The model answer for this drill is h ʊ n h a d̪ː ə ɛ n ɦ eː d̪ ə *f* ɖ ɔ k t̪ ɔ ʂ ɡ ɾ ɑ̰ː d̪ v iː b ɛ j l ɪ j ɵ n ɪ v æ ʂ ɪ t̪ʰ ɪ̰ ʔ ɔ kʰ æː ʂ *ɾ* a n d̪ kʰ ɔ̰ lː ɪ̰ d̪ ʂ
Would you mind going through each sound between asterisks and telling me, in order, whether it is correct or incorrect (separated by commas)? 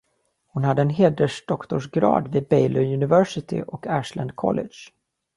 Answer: incorrect, incorrect